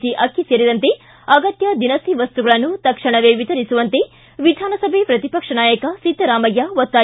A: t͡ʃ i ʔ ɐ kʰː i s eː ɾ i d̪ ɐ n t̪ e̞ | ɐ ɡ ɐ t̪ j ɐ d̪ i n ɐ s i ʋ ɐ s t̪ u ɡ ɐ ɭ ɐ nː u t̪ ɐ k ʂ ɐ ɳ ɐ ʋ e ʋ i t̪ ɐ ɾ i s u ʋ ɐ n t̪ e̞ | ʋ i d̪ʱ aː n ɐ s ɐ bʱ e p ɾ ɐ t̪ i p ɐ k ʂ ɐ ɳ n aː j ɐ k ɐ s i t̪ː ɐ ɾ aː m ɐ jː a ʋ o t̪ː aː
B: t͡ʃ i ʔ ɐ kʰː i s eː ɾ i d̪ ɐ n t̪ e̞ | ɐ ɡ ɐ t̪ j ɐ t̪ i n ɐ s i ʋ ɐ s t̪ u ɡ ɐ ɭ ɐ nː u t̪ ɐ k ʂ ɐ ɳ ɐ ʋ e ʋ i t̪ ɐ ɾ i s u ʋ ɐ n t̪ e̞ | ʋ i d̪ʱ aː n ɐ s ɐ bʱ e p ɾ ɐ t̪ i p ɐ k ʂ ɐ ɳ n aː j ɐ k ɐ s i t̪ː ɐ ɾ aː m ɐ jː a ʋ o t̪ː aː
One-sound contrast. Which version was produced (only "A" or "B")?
A